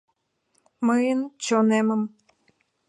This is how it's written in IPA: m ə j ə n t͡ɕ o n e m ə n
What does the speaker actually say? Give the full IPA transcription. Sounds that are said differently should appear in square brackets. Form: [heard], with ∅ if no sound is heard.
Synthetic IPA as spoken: m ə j ə n t͡ɕ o n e m ə [m]

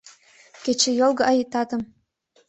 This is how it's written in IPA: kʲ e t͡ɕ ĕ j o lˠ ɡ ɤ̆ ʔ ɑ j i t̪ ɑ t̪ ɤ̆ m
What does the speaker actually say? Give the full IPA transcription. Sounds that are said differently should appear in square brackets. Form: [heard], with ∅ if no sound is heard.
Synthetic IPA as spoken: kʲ e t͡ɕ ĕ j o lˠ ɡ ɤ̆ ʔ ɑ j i t̪ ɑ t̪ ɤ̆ m

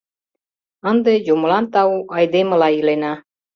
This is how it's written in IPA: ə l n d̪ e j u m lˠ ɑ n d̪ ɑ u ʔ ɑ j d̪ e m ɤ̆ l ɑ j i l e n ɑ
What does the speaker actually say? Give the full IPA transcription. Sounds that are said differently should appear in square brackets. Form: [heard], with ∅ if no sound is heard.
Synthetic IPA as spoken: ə [∅] n d̪ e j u m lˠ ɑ n [t̪] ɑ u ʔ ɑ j d̪ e m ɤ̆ l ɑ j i l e n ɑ

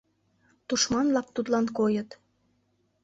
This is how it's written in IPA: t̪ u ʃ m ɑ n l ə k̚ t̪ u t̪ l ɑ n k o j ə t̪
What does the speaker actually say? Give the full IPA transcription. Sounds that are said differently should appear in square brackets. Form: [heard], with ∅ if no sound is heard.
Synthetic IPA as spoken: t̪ u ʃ m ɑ n l [ɑ] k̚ t̪ u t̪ l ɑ n k o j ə t̪

